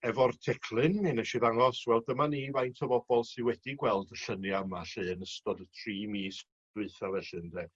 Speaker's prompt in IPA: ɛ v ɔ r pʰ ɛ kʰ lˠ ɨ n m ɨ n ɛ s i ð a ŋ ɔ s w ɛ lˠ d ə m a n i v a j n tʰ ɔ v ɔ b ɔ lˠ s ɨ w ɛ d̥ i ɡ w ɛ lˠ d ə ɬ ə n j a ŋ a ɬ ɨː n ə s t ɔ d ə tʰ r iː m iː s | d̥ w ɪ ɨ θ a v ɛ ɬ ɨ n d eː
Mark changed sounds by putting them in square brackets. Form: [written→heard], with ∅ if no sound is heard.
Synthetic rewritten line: ɛ v ɔ r [pʰ→tʰ] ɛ kʰ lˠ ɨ n m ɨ n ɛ [s→ʃ] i ð a ŋ ɔ s w ɛ lˠ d ə m a n i v a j n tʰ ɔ v ɔ b ɔ lˠ s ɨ w ɛ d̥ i ɡ w ɛ lˠ d ə ɬ ə n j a [ŋ→m] a ɬ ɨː n ə s t ɔ d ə tʰ r iː m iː s | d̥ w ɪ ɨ θ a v ɛ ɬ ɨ n d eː